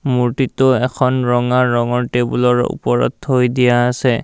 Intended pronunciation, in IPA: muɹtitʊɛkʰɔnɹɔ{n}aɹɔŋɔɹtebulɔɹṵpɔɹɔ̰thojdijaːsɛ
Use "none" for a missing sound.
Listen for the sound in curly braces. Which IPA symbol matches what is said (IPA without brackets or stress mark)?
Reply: ŋ